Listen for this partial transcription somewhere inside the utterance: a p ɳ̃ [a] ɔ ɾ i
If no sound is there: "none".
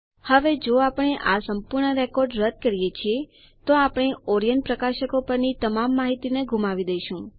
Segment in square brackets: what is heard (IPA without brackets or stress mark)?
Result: e